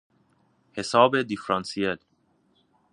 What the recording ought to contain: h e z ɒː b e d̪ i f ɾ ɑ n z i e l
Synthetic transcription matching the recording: h e s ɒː b e d̪ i f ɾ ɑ n s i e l